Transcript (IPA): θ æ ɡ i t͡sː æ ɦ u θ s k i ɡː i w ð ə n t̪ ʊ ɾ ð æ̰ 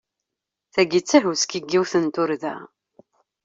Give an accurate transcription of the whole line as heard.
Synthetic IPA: θ æ ɡ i t͡sː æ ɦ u s k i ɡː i w θ ə n t̪ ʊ ɾ ð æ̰